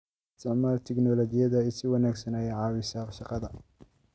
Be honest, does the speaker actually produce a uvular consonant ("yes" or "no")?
yes